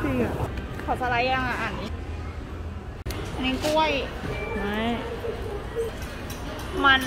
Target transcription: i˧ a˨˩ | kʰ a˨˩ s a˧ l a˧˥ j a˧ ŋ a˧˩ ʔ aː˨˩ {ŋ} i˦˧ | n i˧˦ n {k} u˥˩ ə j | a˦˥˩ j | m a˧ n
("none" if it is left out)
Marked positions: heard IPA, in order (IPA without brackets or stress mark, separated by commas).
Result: n, k